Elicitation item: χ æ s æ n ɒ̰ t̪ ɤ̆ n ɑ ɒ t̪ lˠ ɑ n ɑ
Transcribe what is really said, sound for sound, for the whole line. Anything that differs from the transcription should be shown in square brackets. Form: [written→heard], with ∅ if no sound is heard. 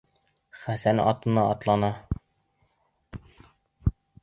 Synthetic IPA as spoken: χ æ s æ n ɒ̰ t̪ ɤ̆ n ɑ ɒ t̪ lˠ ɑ n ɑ